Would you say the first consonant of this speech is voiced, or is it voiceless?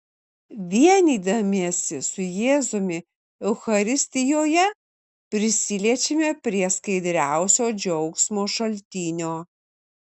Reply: voiced